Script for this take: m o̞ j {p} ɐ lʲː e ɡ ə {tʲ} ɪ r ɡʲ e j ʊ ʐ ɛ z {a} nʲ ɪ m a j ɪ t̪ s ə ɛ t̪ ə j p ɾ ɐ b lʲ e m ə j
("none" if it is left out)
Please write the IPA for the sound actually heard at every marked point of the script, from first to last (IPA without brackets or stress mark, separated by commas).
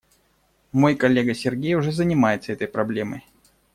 k, sʲ, ə